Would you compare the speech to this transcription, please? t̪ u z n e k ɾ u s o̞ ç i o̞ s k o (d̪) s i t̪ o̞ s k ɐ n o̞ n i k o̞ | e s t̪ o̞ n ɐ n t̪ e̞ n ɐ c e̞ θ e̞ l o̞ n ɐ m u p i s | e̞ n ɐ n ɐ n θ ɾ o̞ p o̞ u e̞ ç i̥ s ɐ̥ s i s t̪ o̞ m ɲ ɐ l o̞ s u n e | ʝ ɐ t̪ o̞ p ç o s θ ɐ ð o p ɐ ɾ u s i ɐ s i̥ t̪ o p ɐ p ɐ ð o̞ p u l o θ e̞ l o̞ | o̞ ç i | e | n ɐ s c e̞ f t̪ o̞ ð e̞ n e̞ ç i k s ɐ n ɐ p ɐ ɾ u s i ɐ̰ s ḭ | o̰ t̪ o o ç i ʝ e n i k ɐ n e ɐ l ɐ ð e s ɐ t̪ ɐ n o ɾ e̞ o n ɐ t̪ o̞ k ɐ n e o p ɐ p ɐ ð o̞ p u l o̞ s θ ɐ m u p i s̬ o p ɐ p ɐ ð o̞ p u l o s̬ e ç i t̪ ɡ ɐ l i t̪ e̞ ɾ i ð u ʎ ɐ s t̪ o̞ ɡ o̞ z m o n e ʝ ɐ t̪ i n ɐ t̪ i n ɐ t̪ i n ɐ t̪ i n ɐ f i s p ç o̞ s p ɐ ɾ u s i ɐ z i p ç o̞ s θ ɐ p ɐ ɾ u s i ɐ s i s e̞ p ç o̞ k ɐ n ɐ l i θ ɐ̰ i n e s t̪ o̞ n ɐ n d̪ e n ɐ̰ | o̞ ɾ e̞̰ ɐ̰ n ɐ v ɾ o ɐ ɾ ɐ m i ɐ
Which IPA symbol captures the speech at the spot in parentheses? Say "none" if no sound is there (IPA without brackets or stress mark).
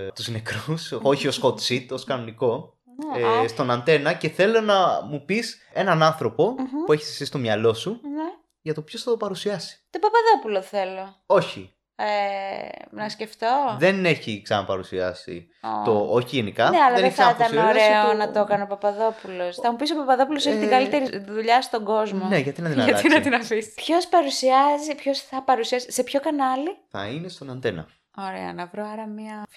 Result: t̪